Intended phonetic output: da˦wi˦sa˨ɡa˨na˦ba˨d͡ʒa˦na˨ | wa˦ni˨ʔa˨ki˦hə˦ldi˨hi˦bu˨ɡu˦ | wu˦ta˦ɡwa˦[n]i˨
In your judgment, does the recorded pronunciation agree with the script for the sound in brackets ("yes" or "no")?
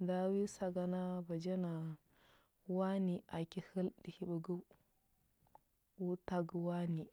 yes